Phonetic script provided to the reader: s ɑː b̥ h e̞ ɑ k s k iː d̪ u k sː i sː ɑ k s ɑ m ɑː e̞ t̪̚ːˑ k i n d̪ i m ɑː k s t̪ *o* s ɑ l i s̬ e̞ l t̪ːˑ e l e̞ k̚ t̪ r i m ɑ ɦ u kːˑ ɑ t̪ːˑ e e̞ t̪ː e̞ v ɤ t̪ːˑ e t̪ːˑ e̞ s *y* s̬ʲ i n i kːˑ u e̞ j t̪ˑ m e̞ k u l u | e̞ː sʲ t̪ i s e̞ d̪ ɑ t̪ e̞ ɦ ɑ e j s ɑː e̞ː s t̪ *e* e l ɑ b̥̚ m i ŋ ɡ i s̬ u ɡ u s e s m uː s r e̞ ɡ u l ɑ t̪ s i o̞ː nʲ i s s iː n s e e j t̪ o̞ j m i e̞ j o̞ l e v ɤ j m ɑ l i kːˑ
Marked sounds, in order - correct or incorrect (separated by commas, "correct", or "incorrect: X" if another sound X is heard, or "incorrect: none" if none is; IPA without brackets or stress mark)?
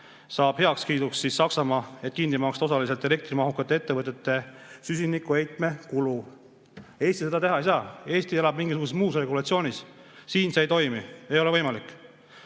correct, correct, incorrect: i